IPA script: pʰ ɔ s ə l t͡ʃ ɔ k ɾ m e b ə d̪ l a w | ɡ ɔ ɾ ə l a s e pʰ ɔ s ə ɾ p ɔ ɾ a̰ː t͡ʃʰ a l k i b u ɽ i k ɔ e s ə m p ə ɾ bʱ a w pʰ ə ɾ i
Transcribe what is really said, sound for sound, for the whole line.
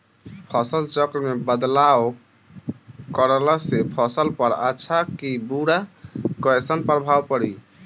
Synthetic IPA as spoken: pʰ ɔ s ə l t͡ʃ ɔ k ɾ m e b ə d̪ l a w | k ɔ ɾ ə l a s e pʰ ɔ s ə l p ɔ ɾ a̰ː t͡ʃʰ a k i b u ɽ a k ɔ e s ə n p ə ɾ bʱ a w p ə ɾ i